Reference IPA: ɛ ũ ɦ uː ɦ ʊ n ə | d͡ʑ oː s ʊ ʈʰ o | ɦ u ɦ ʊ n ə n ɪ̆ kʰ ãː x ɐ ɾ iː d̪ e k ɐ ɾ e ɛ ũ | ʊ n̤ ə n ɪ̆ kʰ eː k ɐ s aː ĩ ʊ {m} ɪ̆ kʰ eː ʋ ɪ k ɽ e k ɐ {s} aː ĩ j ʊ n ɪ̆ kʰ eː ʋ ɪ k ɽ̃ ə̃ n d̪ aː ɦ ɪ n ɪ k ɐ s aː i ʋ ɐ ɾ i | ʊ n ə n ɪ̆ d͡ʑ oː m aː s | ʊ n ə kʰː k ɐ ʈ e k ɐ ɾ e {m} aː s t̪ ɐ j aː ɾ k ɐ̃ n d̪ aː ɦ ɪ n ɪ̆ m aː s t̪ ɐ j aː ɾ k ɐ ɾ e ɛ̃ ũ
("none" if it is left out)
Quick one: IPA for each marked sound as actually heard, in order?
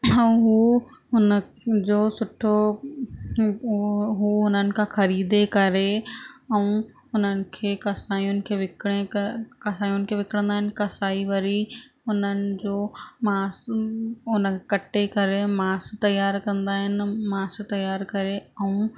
n, s, m

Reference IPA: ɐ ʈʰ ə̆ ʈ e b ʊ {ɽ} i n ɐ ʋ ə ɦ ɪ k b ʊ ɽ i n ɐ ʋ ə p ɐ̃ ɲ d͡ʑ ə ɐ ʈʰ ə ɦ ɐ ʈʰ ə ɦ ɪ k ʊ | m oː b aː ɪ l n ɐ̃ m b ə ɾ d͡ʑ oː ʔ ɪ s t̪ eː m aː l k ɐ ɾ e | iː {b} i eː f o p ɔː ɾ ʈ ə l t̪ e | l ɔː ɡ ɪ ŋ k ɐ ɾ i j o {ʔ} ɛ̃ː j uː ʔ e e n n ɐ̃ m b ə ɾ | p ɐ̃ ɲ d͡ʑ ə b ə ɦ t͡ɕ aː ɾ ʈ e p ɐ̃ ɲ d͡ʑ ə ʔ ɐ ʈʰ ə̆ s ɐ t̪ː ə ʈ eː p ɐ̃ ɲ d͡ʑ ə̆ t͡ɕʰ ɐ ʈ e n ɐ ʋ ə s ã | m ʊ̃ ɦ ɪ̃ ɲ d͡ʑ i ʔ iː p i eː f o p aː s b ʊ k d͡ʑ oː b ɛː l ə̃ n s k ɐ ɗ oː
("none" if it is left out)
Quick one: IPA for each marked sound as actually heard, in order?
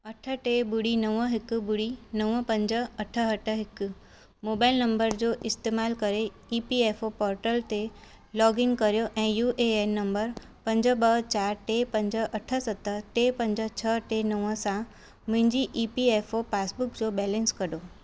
ɽ, p, ʔ

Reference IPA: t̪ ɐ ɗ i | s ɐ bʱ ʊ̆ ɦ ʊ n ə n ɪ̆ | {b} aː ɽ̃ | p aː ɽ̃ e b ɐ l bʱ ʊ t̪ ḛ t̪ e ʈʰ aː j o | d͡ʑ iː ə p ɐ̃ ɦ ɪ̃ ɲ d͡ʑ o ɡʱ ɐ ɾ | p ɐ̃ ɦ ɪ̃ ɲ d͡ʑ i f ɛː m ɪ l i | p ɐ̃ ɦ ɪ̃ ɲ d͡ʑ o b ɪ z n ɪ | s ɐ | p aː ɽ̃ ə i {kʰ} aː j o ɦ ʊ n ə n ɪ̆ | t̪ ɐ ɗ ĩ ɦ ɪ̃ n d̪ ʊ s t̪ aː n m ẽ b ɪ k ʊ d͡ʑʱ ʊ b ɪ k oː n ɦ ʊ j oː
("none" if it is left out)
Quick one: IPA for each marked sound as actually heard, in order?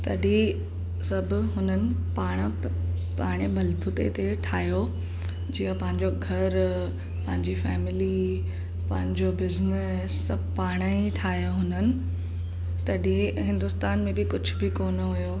p, ʈʰ

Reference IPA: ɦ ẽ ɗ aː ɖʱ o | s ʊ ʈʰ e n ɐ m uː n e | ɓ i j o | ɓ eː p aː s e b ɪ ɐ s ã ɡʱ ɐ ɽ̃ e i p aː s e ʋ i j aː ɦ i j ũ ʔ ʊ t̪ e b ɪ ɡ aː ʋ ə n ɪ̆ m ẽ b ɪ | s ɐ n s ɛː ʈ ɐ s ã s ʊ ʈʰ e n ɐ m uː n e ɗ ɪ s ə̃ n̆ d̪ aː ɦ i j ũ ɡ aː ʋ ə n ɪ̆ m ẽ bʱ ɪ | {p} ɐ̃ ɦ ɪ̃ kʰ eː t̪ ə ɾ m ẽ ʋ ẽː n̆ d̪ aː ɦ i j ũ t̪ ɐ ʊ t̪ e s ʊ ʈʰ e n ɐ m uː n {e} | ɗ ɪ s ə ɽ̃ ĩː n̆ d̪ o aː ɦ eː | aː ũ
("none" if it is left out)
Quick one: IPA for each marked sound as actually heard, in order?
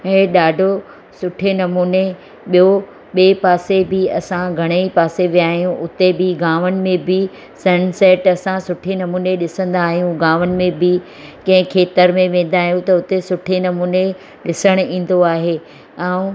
k, e

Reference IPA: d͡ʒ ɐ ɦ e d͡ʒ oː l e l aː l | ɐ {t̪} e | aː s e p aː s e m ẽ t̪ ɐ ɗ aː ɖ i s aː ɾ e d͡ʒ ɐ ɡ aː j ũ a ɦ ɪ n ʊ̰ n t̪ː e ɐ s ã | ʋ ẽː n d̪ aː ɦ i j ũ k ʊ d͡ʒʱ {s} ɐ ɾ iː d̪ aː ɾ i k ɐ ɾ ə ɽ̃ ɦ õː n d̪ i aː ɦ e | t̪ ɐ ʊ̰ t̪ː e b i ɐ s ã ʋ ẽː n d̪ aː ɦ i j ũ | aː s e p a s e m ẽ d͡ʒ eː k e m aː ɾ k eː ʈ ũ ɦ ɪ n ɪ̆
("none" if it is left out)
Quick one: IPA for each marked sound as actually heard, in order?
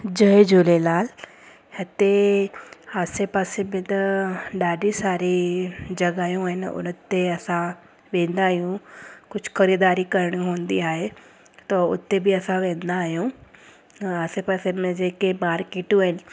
t̪, x

